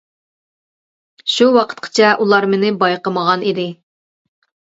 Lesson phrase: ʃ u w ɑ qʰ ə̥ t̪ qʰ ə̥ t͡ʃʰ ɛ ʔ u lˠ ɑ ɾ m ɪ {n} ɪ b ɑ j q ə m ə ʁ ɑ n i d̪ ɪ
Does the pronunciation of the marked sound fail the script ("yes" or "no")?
no